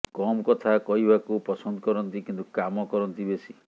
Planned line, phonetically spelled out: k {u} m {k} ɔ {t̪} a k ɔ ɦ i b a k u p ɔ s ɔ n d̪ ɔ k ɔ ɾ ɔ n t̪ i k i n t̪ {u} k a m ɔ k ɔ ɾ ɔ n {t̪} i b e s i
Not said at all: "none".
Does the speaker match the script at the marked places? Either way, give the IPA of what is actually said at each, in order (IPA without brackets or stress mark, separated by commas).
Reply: ɔ, k, t̪ʰ, u, t̪